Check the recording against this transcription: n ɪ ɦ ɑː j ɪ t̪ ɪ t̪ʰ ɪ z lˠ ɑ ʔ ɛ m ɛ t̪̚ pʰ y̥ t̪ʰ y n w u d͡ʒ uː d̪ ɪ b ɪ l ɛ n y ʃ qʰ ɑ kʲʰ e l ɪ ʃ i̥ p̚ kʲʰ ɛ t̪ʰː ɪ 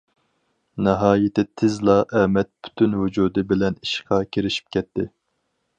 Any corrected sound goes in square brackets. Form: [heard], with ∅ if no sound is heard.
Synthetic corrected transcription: n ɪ ɦ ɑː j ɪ t̪ ɪ t̪ʰ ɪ z lˠ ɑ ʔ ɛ m ɛ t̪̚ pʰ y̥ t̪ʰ y n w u d͡ʒ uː d̪ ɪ b ɪ l ɛ n [i] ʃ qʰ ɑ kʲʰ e [ɾ] ɪ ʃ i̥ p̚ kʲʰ ɛ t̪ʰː ɪ